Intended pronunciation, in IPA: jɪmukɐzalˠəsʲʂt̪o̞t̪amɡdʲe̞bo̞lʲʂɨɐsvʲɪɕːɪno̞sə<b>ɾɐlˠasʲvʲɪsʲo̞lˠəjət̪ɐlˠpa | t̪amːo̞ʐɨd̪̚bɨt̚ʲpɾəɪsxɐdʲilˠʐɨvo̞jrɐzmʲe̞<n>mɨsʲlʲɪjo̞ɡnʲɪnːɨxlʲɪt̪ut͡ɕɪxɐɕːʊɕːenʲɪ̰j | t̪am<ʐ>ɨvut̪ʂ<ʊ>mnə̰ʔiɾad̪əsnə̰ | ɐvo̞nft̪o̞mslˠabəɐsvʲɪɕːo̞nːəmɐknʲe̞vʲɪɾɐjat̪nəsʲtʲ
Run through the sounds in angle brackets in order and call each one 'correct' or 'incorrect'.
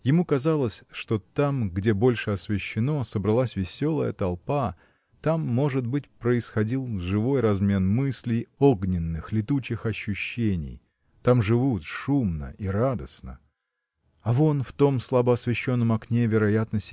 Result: correct, correct, correct, incorrect

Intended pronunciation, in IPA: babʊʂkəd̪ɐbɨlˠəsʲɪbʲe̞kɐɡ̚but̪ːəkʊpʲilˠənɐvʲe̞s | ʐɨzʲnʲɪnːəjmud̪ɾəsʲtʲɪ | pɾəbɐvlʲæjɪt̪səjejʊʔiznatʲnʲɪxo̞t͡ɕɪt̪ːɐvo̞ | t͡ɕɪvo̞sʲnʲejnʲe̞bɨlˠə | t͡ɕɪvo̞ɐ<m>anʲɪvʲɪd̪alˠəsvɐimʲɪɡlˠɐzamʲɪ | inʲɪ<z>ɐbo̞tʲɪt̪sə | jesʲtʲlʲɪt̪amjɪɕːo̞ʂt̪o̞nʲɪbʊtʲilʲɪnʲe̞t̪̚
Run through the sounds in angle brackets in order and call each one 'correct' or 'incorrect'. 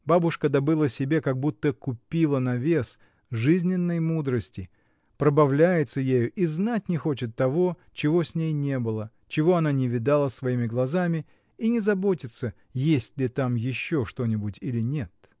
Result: incorrect, correct

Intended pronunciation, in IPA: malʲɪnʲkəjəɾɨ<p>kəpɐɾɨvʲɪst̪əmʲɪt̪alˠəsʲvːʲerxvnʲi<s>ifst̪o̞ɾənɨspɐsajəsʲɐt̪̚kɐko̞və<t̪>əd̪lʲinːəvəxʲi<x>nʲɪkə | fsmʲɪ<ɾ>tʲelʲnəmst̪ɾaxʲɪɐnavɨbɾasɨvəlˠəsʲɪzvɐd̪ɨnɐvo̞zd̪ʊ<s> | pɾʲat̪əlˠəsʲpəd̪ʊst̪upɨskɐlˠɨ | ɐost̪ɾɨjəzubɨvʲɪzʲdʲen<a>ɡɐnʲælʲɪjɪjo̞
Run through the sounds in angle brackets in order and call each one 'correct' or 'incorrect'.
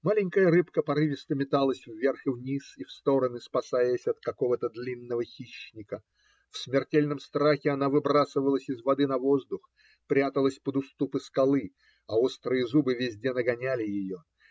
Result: correct, correct, correct, incorrect, incorrect, incorrect, incorrect

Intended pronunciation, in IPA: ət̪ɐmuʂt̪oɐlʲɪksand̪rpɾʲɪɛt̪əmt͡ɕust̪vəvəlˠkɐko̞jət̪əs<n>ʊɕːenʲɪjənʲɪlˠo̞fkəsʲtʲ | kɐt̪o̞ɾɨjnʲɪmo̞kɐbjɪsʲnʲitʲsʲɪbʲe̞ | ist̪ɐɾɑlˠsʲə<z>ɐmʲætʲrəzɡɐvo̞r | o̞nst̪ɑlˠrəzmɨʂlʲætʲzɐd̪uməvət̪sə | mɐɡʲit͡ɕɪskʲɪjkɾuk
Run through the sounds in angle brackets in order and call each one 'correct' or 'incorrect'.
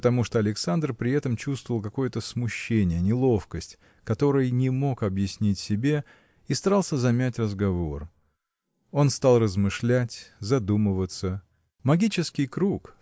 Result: incorrect, correct

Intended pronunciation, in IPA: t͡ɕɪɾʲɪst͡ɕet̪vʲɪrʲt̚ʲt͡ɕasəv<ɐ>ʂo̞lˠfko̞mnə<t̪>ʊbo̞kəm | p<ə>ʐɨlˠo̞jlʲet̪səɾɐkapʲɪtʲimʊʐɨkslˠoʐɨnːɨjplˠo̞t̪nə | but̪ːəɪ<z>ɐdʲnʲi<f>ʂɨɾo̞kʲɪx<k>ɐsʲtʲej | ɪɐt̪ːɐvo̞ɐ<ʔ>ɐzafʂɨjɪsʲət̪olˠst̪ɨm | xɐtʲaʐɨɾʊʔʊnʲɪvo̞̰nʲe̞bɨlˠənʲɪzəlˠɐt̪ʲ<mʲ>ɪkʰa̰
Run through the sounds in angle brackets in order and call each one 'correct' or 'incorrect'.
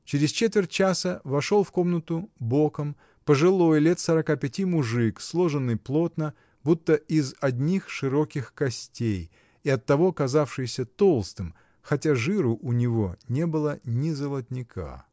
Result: correct, correct, correct, correct, incorrect, correct, incorrect, incorrect

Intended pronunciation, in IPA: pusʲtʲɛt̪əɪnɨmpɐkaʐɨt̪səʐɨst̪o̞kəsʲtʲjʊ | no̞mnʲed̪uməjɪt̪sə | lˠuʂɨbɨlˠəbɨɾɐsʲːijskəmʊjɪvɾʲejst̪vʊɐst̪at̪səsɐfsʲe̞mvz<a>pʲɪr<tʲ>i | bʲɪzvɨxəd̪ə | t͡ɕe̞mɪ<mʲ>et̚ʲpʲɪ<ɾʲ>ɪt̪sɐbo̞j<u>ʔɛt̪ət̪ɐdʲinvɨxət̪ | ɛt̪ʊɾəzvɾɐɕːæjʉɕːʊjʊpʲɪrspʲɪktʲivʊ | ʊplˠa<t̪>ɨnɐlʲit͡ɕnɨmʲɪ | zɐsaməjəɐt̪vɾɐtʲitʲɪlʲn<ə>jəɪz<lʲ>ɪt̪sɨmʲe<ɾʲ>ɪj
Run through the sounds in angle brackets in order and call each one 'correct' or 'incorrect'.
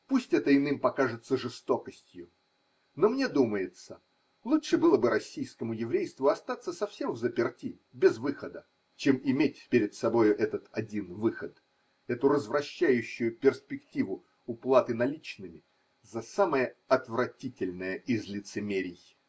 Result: incorrect, correct, correct, correct, incorrect, correct, correct, correct, correct

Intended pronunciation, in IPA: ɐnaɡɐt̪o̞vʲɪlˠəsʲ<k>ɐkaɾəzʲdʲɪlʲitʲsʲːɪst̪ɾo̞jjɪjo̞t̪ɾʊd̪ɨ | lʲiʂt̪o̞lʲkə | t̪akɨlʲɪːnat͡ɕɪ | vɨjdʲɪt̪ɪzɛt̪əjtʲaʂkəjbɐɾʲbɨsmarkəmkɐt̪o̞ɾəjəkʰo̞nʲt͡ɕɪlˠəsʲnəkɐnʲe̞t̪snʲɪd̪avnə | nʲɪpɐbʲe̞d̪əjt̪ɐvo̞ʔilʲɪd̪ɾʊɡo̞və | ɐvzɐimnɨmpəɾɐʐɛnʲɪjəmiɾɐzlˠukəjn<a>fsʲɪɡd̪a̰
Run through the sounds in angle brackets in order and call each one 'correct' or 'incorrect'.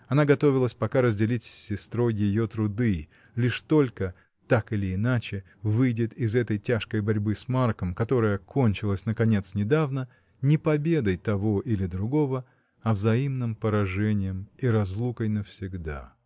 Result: incorrect, incorrect

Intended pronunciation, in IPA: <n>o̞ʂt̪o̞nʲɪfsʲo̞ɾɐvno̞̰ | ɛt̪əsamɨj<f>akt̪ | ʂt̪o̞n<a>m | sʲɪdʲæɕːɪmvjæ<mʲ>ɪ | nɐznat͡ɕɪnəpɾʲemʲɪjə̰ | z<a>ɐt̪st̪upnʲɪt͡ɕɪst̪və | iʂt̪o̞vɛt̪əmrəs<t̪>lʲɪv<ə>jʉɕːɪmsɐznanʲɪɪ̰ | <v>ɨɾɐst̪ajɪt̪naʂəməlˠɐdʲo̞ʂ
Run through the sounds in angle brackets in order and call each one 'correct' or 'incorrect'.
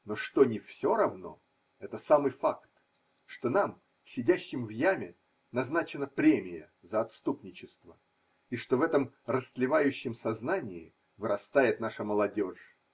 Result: correct, correct, correct, correct, incorrect, correct, incorrect, correct

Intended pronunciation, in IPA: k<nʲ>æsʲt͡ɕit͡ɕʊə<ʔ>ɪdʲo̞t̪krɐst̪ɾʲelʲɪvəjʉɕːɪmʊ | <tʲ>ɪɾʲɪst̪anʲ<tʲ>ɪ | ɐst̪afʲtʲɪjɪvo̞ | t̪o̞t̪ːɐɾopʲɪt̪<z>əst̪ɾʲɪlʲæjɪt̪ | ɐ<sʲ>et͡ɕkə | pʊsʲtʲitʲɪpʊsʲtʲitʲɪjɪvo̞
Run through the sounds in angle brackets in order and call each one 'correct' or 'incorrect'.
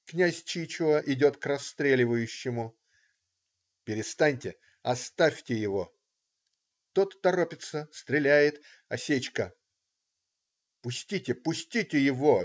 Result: correct, correct, incorrect, correct, incorrect, correct

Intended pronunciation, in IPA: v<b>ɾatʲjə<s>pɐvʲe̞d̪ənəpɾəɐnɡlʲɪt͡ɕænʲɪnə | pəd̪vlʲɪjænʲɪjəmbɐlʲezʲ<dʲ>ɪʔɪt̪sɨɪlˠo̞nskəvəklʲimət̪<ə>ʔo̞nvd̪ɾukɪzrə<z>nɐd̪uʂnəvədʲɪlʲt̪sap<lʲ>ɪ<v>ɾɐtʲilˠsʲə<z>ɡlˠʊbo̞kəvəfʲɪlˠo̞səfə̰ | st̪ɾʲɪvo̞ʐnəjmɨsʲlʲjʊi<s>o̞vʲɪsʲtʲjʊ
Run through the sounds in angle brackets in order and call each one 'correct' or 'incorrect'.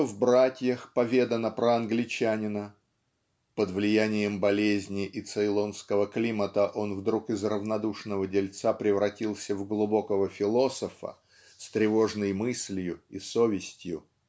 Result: correct, incorrect, incorrect, correct, incorrect, incorrect, correct, incorrect, correct

